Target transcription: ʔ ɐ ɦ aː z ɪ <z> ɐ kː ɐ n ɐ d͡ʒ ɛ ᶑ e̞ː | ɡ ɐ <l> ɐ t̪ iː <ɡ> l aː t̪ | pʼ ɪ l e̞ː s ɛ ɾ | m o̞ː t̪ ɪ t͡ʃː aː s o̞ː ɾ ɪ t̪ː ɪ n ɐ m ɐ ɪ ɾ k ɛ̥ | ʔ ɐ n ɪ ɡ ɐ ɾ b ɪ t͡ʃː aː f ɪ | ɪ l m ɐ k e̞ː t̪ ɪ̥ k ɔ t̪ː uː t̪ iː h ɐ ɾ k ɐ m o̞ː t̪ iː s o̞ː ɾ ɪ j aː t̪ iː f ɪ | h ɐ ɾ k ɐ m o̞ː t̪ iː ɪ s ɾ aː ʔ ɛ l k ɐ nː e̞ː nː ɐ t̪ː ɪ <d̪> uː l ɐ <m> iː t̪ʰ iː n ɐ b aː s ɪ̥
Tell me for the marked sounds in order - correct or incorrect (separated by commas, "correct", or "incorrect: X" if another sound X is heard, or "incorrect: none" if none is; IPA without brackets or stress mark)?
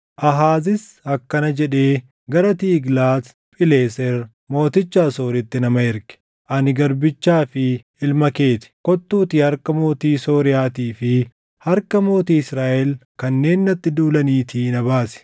incorrect: s, incorrect: ɾ, correct, correct, incorrect: n